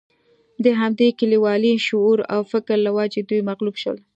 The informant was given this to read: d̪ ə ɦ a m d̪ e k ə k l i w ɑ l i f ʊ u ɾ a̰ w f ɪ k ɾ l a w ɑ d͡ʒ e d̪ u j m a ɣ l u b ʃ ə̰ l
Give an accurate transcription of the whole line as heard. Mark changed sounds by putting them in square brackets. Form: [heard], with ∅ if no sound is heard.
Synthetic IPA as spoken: d̪ ə ɦ a m d̪ e k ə [∅] l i w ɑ l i [ʃ] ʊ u ɾ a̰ w f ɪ k ɾ l a w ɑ d͡ʒ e d̪ u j m a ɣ l u b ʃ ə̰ l